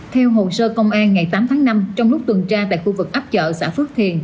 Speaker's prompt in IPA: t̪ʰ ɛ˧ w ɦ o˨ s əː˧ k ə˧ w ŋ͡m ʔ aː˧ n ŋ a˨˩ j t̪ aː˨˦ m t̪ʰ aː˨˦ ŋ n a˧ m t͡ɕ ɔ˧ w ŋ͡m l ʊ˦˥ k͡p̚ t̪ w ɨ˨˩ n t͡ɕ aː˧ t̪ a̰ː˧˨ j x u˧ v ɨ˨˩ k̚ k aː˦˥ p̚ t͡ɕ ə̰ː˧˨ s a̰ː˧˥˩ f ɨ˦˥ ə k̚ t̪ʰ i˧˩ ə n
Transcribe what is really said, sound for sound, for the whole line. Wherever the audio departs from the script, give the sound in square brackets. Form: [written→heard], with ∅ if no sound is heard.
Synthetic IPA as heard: t̪ʰ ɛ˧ w ɦ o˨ s əː˧ k ə˧ w ŋ͡m ʔ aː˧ n ŋ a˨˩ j t̪ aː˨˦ m t̪ʰ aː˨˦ ŋ n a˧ m t͡ɕ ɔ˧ w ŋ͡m l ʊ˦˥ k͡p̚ t̪ w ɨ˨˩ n t͡ɕ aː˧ t̪ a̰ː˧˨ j x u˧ v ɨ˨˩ k̚ [k→ʔ] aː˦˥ p̚ t͡ɕ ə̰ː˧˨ s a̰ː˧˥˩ f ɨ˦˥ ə k̚ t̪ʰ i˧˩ ə n